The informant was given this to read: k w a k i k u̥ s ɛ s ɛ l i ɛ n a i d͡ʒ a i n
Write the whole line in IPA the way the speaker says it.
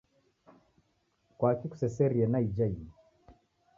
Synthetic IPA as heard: k w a k i k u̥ s ɛ s ɛ ɾ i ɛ n a i d͡ʒ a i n

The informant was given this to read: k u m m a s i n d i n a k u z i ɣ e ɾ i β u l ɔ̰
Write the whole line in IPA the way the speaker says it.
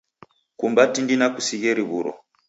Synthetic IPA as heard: k u m b a t i n d i n a k u s i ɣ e ɾ i β u ɾ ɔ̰

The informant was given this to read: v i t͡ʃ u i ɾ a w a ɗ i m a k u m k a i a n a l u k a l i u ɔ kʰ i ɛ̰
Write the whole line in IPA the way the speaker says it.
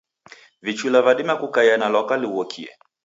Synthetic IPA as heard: v i t͡ʃ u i l a v a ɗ i m a k u k a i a n a l ɔ k a l i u ɔ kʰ i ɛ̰

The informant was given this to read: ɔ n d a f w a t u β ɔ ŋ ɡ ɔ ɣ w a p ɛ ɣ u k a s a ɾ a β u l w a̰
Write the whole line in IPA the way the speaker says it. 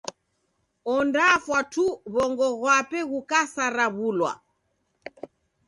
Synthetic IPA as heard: ɔ n d a f w a t u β ɔ ŋ ɡ ɔ ɣ w a p ɛ ɣ u k a s a ɾ a β u l w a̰

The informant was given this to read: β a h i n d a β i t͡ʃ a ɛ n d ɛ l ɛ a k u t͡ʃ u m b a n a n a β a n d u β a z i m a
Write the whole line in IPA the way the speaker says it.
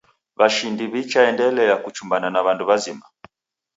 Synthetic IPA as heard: β a ʃ i n d i β i t͡ʃ a ɛ n d ɛ l ɛ a k u t͡ʃ u m b a n a n a β a n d u β a z i m a

